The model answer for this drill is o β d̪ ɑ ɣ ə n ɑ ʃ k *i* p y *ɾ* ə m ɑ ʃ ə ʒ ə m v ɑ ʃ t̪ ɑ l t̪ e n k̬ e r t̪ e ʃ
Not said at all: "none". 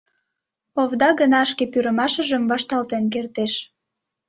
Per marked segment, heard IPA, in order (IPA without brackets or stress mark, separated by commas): e, ɾ